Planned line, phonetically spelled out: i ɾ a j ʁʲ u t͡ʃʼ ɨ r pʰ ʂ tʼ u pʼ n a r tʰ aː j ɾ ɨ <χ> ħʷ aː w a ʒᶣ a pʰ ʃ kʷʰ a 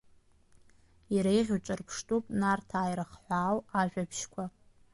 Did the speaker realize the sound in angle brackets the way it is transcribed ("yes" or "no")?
yes